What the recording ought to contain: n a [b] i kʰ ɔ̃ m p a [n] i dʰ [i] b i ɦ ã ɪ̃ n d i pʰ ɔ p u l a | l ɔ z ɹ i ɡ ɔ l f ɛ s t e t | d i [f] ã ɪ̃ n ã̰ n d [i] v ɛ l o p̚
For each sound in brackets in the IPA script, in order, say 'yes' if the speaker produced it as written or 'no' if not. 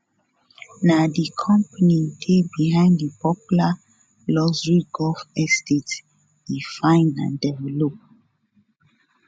no, yes, no, yes, no

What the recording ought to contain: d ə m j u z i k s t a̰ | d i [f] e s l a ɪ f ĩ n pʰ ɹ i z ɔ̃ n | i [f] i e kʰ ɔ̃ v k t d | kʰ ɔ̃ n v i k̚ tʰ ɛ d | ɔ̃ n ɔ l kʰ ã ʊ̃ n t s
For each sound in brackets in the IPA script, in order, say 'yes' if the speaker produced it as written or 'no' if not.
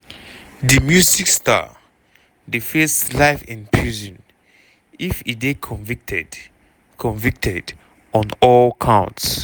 yes, yes

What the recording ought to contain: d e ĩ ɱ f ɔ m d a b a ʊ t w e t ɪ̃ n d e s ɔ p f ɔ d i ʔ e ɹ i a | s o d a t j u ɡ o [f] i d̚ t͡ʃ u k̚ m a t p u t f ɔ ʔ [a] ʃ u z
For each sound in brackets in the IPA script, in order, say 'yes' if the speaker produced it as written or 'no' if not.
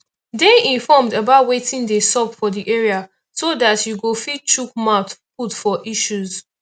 yes, no

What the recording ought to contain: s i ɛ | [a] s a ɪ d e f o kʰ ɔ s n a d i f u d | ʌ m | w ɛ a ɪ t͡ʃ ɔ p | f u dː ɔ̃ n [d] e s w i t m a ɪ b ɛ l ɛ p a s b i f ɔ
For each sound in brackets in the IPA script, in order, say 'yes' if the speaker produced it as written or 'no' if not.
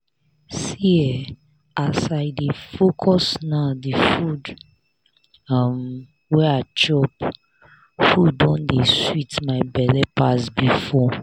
yes, yes

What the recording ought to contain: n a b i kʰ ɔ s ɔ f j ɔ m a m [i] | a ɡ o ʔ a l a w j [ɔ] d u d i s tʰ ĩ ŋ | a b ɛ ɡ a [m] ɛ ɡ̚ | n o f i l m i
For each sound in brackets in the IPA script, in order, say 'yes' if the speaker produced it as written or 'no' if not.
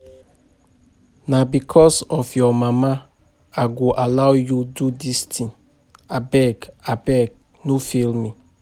no, no, no

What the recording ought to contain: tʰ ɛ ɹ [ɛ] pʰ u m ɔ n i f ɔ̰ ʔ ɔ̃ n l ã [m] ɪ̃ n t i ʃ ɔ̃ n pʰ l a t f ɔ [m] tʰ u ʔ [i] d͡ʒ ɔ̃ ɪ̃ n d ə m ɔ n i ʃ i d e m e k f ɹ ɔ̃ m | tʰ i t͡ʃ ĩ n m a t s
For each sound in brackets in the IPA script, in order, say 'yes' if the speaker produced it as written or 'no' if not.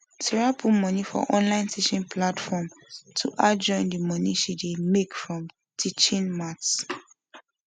no, no, yes, no

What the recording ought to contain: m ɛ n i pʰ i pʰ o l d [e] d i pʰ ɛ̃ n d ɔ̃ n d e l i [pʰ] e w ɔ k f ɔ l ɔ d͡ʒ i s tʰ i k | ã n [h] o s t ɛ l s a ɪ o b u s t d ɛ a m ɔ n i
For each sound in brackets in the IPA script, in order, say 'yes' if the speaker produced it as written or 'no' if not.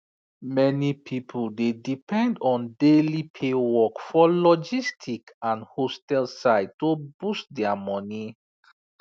yes, yes, yes

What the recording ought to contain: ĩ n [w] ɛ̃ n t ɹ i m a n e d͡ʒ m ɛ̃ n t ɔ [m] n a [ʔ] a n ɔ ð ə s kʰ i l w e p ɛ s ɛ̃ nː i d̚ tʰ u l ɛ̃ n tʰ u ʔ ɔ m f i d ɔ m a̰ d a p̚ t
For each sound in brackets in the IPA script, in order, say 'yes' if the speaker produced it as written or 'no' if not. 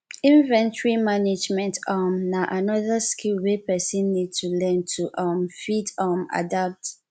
no, yes, yes

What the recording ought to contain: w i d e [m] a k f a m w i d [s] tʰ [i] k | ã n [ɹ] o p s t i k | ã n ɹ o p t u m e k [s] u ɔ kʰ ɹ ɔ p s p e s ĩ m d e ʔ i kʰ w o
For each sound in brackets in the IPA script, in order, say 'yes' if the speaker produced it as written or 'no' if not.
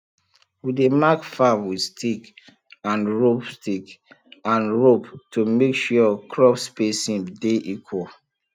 yes, yes, yes, yes, no

